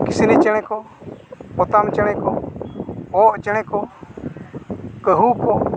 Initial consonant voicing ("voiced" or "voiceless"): voiceless